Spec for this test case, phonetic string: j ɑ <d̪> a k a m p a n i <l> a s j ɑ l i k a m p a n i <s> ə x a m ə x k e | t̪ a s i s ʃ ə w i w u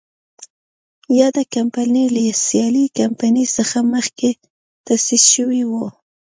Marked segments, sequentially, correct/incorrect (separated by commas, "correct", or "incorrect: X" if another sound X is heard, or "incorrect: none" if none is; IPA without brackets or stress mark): correct, correct, correct